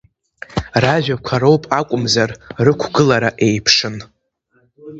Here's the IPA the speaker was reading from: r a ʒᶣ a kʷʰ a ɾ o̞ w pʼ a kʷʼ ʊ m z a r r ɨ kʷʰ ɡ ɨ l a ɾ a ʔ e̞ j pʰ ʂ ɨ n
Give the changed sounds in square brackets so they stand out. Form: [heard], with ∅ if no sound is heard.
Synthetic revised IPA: r a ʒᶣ a kʷʰ a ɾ o̞ w pʼ a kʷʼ ʊ m z a r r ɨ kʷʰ ɡ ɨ l a ɾ a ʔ e̞ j pʰ ʂ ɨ n